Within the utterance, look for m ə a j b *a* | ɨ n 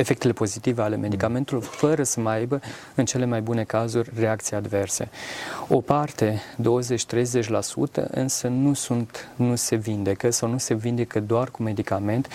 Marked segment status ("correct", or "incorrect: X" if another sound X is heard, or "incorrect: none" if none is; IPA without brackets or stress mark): incorrect: ə